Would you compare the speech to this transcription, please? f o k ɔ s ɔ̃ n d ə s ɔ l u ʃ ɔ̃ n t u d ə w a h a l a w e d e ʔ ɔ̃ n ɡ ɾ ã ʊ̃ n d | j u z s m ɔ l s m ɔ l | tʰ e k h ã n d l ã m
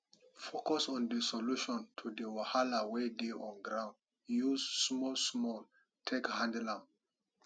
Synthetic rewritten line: f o k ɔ s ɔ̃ n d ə s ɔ l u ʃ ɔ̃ n tʰ u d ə w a h a l a w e d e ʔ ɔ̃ n ɡ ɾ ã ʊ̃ n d | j u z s m ɔ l s m ɔ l | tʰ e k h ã n d l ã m